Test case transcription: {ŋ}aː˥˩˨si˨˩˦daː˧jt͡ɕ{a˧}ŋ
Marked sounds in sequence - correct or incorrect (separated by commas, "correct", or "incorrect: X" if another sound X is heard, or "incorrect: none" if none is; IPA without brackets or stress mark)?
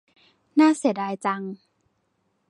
incorrect: n, correct